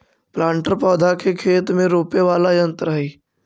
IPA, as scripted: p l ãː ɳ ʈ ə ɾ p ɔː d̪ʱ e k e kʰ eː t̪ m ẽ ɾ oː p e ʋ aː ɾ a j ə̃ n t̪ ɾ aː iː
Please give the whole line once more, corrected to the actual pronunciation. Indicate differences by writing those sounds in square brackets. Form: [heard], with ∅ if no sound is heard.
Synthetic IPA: p l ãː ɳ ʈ ə ɾ p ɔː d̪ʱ [a] k e kʰ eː t̪ m ẽ ɾ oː p e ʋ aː [l] a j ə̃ n t̪ ɾ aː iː